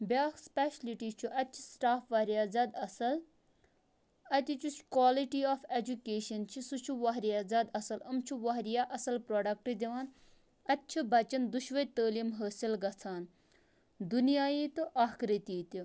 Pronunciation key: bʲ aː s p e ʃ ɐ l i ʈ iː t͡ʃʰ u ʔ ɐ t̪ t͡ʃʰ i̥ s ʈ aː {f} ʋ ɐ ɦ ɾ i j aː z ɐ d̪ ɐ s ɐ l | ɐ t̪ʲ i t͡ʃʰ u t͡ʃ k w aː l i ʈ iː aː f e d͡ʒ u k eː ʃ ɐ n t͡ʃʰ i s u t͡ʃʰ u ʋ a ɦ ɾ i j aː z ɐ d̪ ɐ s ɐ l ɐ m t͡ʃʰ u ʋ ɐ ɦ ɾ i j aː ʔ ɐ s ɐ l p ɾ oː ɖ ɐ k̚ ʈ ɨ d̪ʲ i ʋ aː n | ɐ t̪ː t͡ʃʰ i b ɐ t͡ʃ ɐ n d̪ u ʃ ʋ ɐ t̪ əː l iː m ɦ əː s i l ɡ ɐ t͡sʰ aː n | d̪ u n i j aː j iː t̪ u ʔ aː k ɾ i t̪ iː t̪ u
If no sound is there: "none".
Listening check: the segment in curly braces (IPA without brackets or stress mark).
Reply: f